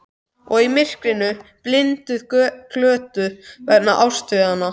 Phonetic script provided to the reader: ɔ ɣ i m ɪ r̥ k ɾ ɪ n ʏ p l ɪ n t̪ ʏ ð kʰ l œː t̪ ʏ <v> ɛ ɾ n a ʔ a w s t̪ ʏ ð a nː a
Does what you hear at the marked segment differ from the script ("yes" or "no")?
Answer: no